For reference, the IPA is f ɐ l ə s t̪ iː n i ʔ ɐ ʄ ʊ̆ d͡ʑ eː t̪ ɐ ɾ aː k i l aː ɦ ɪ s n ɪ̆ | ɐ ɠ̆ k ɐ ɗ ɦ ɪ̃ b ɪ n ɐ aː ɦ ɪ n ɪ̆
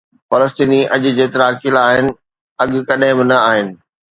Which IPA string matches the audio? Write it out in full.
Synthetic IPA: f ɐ l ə s t̪ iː n i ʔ ɐ ʄ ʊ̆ d͡ʑ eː t̪ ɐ ɾ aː k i l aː ɦ ɪ n ɪ̆ | ɐ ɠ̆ k ɐ ɗ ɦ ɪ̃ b ɪ n ɐ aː ɦ ɪ n ɪ̆

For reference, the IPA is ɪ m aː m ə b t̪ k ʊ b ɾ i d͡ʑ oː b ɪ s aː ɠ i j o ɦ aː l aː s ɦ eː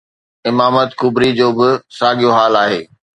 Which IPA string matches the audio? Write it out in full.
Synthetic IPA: ɪ m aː m ə t̪ k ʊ b ɾ i d͡ʑ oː b ɪ s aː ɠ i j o ɦ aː l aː ɦ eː

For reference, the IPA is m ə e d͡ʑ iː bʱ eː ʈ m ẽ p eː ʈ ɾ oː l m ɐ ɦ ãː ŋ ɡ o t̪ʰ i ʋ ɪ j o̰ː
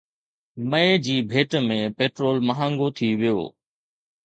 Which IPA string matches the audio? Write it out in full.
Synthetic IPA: m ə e d͡ʑ iː bʱ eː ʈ m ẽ p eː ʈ ɾ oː l m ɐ ɦ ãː ŋ ɡ o t̪ʰ i ʋ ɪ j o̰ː

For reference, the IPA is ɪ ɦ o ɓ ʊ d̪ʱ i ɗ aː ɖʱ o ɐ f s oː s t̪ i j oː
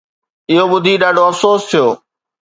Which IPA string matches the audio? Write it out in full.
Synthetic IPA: ɪ ɦ o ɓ ʊ d̪ʱ i ɗ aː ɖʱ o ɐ f s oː s t̪ʰ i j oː

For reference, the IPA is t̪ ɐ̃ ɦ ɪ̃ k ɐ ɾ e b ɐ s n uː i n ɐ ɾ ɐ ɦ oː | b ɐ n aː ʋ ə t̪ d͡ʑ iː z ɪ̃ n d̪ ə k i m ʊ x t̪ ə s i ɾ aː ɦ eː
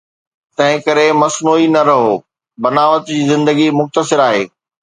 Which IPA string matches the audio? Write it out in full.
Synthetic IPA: t̪ ɐ̃ ɦ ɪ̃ k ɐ ɾ e m ɐ s n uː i n ɐ ɾ ɐ ɦ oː | b ɐ n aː ʋ ə t̪ d͡ʑ iː z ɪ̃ n d̪ ə ɡ i m ʊ x t̪ ə s ɪ ɾ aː ɦ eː

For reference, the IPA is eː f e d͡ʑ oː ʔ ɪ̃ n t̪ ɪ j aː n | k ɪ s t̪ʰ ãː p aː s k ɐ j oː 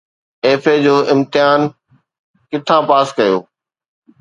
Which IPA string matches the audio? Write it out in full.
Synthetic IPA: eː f e d͡ʑ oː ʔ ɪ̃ m t̪ ɪ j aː n | k ɪ t̪ʰ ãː p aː s k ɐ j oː

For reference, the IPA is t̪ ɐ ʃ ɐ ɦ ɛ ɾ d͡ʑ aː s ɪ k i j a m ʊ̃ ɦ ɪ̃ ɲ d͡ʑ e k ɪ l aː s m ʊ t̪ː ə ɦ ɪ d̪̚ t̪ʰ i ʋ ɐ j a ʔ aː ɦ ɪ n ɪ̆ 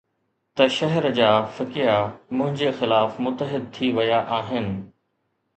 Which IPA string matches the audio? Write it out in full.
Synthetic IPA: t̪ ɐ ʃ ɐ ɦ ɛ ɾ d͡ʑ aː f ɪ k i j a m ʊ̃ ɦ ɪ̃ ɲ d͡ʑ e x ɪ l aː f m ʊ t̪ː ə ɦ ɪ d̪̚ t̪ʰ i ʋ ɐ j a ʔ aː ɦ ɪ n ɪ̆

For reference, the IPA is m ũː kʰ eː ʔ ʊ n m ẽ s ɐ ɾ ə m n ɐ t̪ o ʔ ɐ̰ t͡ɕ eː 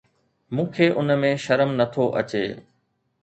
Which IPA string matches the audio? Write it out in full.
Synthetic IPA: m ũː kʰ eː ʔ ʊ n m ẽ ʃ ɐ ɾ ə m n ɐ t̪ʰ o ʔ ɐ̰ t͡ɕ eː

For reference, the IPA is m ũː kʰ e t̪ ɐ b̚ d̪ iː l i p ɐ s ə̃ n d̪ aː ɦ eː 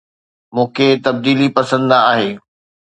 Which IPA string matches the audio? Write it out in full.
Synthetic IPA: m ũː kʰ e t̪ ɐ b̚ d̪ iː l i p ɐ s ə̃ n d̪ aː ɦ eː

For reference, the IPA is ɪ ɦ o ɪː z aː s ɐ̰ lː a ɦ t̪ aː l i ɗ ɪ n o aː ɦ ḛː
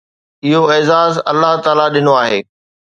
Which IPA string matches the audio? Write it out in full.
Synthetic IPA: ɪ ɦ o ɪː z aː z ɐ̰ lː a ɦ t̪ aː l a ɗ ɪ n o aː ɦ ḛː

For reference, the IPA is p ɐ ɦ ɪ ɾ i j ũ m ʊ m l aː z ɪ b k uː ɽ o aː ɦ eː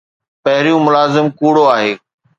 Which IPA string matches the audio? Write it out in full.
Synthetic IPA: p ɐ ɦ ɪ ɾ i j ũ m ʊ l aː z ɪ m k uː ɽ o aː ɦ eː

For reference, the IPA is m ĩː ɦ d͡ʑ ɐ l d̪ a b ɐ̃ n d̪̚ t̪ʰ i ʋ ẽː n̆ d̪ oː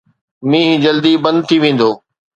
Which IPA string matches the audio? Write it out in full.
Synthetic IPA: m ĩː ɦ d͡ʑ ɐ l d̪ i b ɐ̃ n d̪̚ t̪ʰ i ʋ ẽː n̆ d̪ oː

